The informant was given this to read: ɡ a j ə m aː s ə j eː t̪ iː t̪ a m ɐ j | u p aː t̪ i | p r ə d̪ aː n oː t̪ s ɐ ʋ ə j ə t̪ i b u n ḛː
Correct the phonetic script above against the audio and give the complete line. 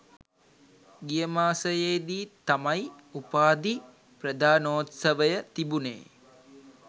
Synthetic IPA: ɡ i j ə m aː s ə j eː d̪ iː t̪ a m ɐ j | u p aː d̪ i | p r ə d̪ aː n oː t̪ s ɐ ʋ ə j ə t̪ i b u n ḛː